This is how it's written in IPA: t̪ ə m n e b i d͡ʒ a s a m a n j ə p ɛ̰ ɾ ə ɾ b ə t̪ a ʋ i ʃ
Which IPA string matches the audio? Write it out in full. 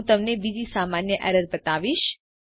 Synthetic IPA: t̪ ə m n e b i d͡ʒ i s a m a n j ə ʔ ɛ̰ ɾ ə ɾ b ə t̪ a ʋ i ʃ